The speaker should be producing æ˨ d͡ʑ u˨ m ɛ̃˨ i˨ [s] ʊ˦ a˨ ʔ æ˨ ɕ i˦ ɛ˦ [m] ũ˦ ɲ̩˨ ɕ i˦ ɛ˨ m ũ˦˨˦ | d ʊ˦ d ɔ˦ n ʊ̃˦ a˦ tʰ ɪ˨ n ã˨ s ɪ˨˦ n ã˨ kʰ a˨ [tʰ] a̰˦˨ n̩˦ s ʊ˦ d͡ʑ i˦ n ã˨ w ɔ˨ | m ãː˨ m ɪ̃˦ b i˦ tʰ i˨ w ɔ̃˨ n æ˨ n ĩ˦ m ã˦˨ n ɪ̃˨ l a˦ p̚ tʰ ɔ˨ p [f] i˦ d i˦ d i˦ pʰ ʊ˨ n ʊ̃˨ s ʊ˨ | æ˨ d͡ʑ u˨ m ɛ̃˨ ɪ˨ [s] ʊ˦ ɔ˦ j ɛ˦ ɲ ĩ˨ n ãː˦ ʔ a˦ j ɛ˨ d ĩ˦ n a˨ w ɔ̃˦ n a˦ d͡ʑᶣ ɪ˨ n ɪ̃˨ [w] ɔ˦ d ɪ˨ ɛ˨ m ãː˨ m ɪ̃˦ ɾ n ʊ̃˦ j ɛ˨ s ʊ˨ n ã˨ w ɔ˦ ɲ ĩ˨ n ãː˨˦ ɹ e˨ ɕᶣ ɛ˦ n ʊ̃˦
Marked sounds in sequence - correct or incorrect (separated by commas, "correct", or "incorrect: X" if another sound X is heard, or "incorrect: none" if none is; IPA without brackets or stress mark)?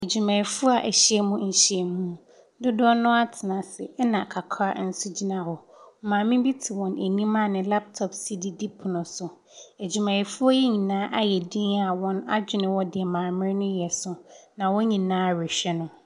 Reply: incorrect: f, correct, incorrect: kʰ, incorrect: s, incorrect: f, correct